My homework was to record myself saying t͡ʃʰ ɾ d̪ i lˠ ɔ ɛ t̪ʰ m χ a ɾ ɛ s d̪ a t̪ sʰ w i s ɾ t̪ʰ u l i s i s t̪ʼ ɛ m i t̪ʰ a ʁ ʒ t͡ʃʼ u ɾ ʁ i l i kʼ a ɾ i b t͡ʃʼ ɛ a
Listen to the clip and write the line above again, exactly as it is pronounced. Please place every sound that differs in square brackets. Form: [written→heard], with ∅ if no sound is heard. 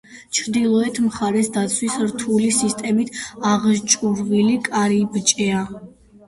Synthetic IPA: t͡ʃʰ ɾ d̪ i lˠ ɔ ɛ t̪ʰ m χ a ɾ ɛ s d̪ a t̪ sʰ w i s ɾ t̪ʰ u l i s i s t̪ʼ ɛ m i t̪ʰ a ʁ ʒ t͡ʃʼ u ɾ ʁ i l i kʼ a ɾ i b t͡ʃʼ ɛ a